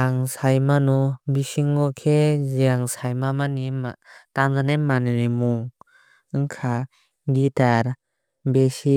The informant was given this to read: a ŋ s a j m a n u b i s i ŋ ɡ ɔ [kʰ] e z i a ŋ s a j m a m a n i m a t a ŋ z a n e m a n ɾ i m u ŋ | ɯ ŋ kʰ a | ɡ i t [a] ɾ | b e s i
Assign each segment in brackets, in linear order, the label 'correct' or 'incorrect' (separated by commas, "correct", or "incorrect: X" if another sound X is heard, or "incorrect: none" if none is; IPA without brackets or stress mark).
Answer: correct, correct